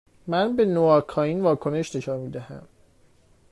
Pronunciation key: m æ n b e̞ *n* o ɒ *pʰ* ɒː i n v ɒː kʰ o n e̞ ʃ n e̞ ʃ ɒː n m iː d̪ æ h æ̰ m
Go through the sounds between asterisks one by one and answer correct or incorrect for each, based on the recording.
correct, incorrect

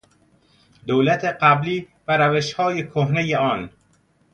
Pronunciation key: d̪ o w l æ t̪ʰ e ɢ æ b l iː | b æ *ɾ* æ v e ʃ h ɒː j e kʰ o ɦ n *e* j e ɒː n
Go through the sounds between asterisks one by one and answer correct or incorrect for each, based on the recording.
correct, correct

